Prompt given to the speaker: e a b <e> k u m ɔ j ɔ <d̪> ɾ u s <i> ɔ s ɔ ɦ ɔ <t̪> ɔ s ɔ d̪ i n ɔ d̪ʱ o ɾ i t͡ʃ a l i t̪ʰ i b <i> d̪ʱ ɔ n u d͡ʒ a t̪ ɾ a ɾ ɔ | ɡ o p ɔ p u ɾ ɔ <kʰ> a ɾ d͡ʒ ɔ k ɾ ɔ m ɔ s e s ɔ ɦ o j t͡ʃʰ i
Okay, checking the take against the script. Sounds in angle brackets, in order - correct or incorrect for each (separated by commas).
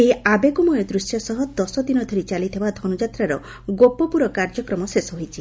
correct, correct, incorrect, incorrect, incorrect, incorrect